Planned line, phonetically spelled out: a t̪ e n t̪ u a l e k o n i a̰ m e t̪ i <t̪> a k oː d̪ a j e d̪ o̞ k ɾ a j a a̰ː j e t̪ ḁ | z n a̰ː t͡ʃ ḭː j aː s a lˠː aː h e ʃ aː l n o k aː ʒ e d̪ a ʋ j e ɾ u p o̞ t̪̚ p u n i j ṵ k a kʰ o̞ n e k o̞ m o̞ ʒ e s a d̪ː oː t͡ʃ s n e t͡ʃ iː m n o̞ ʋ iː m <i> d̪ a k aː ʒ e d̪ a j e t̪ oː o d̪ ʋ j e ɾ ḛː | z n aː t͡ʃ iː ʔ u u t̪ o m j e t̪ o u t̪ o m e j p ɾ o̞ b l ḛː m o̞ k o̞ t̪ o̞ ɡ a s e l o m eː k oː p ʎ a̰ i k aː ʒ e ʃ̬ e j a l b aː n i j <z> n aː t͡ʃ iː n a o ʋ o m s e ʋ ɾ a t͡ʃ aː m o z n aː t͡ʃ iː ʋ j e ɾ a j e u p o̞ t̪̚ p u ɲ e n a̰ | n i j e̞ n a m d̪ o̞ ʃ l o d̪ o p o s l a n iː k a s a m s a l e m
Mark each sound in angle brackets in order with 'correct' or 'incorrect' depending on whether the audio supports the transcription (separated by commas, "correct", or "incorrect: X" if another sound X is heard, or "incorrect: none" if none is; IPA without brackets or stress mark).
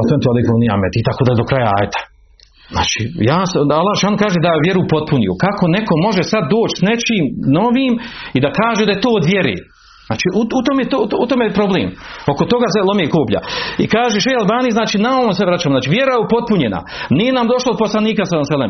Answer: correct, correct, correct